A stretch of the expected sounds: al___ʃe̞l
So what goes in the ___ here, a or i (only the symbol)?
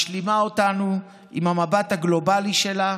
i